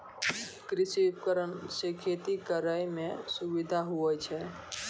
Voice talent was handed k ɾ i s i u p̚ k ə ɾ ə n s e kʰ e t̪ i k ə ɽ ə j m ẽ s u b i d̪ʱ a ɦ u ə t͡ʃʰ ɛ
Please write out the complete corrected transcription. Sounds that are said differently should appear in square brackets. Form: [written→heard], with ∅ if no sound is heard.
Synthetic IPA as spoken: k ɾ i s i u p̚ k ə ɾ ə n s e kʰ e t̪ i k ə [ɽ→ɾ] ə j m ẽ s u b i d̪ʱ a ɦ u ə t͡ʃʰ ɛ